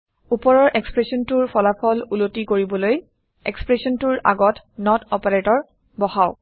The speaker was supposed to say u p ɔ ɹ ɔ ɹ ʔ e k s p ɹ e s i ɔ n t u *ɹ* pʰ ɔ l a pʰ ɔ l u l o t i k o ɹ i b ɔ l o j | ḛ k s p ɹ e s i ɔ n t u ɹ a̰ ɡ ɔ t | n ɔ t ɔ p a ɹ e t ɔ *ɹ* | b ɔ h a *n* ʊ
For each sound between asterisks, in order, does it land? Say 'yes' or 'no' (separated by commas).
yes, yes, no